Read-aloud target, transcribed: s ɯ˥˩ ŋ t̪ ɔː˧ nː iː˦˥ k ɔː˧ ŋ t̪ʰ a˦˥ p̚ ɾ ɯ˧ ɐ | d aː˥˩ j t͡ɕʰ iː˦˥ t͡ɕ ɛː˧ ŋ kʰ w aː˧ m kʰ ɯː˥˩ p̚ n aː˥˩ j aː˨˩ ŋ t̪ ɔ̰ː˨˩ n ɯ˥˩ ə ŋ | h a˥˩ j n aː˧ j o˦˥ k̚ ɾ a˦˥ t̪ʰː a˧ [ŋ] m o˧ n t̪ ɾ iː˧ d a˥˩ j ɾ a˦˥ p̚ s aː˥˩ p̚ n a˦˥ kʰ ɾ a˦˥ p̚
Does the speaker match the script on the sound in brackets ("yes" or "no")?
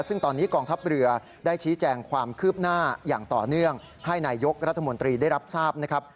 no